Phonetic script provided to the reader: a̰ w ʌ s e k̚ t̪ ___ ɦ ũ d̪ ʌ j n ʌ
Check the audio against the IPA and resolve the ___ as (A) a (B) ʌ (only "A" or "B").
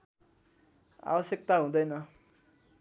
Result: A